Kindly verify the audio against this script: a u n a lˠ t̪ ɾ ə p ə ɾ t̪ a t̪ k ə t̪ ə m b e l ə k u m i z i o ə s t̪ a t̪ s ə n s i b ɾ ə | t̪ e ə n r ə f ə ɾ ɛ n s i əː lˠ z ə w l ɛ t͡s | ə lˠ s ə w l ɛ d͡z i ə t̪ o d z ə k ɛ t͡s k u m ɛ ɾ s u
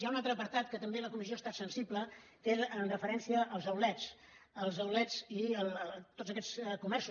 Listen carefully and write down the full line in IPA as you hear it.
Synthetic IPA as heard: a u n a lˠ t̪ ɾ ə p ə ɾ t̪ a t̪ k ə t̪ ə m b e l ə k u m i z i o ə s t̪ a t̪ s ə n s i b l ə | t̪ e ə n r ə f ə ɾ ɛ n s i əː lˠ z ə w l ɛ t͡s | ə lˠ z ə w l ɛ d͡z i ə t̪ o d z ə k ɛ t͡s k u m ɛ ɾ s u